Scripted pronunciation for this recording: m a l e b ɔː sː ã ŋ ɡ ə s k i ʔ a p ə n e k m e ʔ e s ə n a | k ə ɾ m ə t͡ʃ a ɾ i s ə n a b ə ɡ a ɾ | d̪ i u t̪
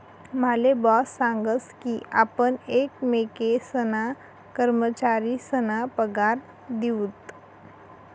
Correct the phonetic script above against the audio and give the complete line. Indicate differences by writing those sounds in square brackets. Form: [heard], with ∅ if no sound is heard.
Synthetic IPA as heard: m a l e b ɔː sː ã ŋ ɡ ə s k i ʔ a p ə n e k m e [k] e s ə n a | k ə ɾ m ə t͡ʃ a ɾ i s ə n a [p] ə ɡ a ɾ | d̪ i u t̪